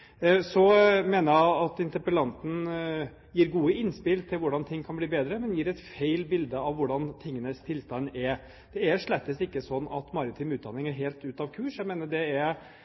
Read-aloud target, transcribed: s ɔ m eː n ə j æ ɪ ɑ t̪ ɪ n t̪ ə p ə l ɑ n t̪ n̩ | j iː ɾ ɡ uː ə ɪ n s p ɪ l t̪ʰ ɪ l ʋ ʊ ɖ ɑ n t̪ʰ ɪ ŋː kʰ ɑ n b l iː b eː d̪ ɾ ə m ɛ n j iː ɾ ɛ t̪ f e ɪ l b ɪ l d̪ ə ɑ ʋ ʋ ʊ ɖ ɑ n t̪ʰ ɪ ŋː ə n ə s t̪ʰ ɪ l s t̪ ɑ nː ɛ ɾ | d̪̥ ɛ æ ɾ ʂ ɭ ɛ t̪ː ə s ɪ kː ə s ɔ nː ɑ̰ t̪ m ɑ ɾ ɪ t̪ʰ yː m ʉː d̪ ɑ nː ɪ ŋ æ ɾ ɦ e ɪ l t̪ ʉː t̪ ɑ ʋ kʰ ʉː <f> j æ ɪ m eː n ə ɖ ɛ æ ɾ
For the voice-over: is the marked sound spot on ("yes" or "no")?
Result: no